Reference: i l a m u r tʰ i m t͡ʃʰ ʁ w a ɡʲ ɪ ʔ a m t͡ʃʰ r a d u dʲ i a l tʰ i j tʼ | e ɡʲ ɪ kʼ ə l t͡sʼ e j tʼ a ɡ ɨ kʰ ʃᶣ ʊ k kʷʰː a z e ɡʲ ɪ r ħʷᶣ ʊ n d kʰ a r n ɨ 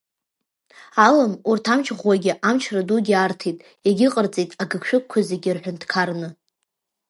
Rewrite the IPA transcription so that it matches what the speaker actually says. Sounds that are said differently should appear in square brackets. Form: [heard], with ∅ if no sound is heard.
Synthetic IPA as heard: [a] l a m u r tʰ [a] m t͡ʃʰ ʁ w a ɡʲ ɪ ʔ a m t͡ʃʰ r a d u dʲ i a [r] tʰ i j tʼ | e ɡʲ ɪ [qʼ] ə [r] t͡sʼ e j tʼ a ɡ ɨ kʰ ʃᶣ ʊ k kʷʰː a z e ɡʲ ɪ r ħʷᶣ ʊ n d kʰ a r n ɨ